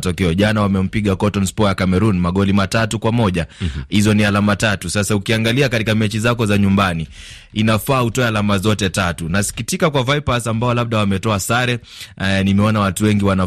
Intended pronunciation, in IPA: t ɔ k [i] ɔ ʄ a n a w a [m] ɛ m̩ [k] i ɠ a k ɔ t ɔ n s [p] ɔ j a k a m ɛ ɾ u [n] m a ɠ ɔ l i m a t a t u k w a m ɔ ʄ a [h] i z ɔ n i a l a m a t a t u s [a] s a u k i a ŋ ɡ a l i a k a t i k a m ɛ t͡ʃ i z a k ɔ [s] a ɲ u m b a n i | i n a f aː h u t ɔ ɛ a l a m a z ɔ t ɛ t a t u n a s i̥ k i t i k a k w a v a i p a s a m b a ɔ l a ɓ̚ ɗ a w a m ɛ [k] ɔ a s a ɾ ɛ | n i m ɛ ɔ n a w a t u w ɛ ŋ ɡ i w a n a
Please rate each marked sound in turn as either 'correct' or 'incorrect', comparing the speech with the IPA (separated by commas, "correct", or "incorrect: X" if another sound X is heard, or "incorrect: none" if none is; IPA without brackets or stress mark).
incorrect: ɛ, correct, incorrect: p, correct, correct, correct, correct, incorrect: z, incorrect: t